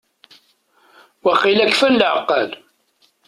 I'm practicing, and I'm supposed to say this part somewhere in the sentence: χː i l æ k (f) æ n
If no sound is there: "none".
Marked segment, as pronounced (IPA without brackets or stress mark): f